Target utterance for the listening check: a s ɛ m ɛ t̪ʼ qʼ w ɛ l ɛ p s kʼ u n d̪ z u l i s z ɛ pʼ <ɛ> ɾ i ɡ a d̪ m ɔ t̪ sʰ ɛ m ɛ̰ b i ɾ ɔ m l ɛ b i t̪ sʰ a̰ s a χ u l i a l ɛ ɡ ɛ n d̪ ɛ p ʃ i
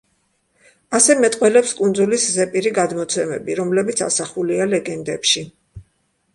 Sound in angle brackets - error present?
yes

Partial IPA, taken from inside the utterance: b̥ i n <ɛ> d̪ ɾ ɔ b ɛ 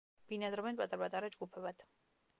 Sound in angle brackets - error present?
yes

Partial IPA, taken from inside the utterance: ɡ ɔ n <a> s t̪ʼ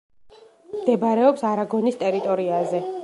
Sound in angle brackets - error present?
yes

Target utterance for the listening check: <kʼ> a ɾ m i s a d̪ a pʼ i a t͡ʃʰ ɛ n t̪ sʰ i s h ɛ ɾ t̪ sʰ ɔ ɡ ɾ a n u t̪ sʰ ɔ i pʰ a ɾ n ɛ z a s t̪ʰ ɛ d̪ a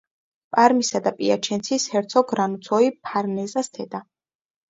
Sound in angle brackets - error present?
yes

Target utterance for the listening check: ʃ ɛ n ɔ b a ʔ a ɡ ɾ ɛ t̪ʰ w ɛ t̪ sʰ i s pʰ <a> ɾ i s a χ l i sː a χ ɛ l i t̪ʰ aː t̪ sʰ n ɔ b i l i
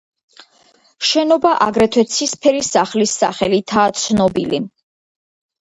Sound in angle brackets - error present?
yes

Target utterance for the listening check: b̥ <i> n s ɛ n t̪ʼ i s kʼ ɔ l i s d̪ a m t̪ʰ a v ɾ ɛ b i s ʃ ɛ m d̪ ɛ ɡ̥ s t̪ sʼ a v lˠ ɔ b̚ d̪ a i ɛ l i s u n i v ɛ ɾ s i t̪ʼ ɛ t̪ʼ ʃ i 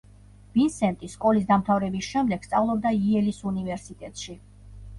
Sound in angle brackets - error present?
no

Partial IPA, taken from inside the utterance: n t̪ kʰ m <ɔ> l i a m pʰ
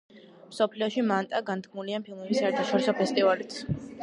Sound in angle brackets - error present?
yes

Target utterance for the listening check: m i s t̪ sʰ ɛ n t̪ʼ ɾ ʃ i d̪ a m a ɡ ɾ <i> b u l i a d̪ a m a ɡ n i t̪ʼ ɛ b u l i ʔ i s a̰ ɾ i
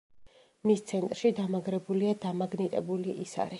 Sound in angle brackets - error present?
yes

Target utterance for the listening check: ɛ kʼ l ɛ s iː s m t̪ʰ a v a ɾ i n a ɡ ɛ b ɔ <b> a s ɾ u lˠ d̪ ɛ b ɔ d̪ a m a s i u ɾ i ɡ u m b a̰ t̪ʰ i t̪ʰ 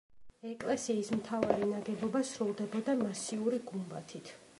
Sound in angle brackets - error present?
no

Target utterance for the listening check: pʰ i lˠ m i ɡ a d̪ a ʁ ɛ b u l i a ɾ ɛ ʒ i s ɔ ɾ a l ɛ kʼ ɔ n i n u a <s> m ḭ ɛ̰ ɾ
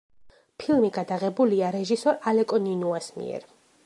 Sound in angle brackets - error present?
no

